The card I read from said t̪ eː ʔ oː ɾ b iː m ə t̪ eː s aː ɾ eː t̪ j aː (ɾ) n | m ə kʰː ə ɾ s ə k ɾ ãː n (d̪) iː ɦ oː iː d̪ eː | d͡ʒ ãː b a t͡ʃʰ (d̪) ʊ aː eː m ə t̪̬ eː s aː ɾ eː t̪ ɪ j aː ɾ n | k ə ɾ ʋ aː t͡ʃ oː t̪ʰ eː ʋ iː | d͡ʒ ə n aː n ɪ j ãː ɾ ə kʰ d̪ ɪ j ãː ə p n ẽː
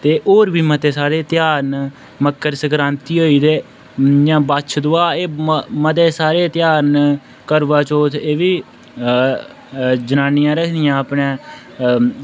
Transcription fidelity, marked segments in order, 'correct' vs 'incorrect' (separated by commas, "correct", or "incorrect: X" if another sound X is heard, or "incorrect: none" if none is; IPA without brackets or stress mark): correct, incorrect: t̪, correct